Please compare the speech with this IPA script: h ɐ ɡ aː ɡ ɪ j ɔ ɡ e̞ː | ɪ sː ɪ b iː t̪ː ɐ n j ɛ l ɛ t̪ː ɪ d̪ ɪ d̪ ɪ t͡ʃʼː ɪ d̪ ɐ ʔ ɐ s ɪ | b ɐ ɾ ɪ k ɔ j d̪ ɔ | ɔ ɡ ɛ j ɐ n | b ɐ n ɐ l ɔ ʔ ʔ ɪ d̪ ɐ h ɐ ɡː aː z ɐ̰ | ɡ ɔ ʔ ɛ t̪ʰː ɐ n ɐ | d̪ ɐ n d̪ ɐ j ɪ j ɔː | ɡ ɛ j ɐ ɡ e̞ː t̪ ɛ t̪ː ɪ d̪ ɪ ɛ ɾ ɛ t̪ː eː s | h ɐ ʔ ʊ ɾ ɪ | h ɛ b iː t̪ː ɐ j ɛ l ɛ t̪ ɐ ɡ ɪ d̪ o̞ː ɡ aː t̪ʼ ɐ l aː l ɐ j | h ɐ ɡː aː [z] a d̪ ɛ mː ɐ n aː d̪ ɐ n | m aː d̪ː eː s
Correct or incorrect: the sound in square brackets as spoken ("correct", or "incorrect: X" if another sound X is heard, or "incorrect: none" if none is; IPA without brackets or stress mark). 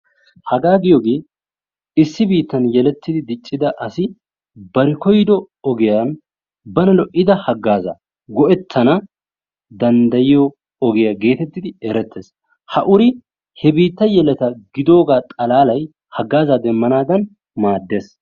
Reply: correct